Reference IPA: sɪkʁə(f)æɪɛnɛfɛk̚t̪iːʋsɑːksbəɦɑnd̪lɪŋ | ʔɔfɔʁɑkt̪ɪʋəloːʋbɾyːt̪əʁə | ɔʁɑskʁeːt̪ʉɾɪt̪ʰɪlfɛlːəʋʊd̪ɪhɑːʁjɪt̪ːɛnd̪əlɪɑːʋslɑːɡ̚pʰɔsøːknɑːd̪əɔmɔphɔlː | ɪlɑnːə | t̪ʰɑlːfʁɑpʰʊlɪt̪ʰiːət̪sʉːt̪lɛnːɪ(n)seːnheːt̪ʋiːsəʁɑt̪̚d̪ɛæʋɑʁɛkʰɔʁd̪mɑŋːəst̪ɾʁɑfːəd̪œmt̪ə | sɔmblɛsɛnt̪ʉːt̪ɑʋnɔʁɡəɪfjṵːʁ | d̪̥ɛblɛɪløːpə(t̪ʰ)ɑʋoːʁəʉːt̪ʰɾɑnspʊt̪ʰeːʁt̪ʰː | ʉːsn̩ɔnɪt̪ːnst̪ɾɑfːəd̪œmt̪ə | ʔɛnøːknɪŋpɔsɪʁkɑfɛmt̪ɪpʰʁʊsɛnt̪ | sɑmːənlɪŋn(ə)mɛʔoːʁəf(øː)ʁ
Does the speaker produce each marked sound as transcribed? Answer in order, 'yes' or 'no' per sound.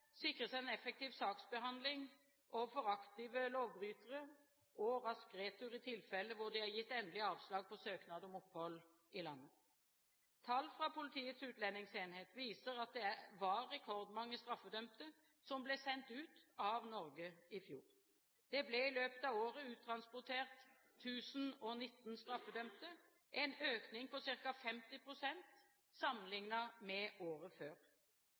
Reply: no, no, no, no, yes

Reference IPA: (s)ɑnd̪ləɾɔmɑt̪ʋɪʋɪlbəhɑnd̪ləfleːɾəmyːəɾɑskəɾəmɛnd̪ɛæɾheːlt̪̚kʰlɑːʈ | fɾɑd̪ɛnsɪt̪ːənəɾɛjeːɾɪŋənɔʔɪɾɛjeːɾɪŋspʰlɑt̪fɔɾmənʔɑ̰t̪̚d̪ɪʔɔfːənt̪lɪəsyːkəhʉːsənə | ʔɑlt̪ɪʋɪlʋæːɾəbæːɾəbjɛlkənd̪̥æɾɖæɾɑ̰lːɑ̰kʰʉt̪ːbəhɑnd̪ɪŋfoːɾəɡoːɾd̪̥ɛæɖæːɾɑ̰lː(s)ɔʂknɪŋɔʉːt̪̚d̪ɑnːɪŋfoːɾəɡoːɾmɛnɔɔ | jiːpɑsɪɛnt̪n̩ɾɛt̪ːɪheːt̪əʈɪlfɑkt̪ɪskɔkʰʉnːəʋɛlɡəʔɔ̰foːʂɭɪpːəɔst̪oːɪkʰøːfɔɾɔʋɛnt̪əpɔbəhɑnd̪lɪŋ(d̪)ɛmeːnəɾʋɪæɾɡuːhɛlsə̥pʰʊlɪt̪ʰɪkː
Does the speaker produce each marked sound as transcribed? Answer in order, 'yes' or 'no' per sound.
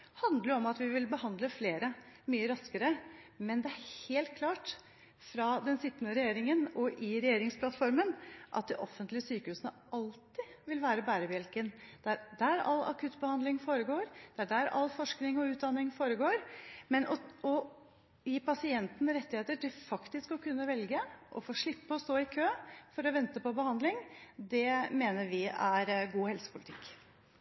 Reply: no, no, yes

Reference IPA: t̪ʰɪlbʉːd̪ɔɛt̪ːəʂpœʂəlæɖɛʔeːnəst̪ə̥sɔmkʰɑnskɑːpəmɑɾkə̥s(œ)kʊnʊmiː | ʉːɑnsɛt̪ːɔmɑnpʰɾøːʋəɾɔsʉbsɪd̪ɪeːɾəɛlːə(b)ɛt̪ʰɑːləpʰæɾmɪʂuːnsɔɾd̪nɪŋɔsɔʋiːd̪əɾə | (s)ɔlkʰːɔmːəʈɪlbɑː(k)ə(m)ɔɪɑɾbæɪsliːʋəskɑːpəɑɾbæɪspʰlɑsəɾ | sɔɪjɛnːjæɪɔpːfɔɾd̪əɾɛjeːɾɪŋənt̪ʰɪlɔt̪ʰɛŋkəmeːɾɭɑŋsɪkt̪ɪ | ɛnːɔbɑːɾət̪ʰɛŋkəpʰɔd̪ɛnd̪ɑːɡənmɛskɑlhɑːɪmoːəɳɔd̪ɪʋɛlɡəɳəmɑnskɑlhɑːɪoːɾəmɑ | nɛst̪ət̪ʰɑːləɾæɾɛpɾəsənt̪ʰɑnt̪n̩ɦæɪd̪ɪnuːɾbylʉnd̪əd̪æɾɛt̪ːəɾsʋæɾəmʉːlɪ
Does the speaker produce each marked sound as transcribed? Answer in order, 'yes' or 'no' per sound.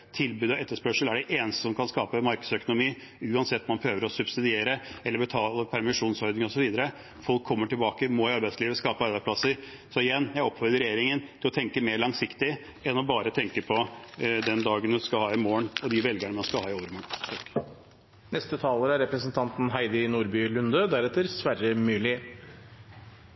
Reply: yes, yes, no, yes, yes

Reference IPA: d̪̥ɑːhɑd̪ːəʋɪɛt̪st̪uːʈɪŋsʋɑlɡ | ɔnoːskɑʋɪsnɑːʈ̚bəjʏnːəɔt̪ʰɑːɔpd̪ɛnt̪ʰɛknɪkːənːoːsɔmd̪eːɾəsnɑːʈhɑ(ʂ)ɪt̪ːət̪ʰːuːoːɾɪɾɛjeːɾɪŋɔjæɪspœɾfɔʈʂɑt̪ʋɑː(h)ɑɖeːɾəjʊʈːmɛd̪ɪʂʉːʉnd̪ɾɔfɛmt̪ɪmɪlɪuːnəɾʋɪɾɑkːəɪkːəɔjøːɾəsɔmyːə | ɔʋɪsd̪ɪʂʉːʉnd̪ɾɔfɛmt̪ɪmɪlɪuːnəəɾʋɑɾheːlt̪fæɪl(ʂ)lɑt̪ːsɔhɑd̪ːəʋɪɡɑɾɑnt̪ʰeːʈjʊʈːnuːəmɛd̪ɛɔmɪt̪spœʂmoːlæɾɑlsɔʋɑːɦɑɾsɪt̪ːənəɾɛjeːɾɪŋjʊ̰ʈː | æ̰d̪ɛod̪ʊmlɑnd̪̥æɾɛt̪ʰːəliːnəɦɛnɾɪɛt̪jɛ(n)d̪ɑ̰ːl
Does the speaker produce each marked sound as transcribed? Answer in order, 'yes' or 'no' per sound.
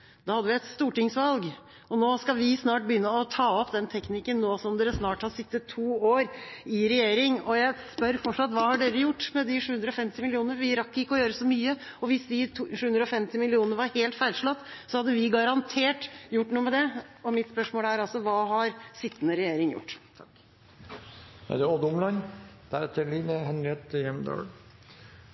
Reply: no, yes, yes, no

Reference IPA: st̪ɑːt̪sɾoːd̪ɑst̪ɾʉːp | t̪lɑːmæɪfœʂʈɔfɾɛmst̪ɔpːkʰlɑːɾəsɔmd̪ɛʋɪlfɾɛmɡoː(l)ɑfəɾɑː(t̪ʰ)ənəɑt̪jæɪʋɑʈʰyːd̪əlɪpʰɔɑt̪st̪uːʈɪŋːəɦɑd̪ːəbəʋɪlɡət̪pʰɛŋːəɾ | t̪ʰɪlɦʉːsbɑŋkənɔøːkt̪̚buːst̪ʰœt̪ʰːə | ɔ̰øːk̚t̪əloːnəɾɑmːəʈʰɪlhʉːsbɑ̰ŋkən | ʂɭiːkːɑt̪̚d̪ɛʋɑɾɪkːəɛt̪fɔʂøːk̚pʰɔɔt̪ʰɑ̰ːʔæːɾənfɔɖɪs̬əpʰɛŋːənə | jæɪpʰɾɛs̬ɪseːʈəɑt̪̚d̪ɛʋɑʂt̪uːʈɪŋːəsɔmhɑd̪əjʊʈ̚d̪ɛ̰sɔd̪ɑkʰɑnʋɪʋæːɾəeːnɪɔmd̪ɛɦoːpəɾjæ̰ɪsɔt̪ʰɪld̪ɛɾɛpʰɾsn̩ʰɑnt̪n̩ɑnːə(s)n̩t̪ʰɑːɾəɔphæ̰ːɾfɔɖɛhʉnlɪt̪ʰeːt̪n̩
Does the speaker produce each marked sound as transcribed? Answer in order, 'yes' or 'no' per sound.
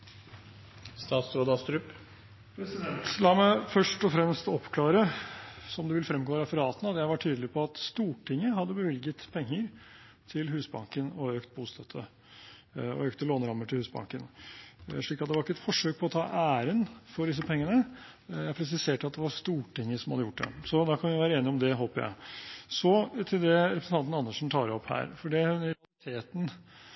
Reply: no, no, no

